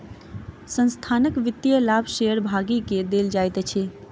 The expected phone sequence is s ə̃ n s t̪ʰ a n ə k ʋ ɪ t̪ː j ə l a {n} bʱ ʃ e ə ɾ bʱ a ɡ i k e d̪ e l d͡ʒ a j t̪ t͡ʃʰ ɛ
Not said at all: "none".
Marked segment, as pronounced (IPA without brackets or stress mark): none